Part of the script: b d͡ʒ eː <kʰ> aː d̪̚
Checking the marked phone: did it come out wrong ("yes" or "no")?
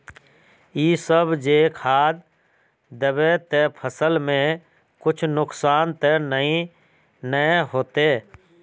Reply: no